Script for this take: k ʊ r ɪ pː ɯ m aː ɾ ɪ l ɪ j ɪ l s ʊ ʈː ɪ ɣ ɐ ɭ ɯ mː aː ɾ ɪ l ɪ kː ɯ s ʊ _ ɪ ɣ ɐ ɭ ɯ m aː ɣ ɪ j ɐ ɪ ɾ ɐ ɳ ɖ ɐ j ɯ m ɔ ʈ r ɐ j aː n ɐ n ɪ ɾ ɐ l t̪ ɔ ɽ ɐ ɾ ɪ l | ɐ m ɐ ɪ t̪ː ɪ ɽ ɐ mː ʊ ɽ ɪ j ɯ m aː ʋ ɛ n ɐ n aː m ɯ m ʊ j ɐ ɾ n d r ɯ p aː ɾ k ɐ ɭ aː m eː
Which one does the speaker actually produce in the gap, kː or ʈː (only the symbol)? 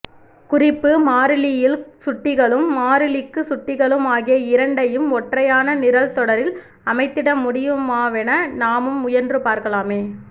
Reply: ʈː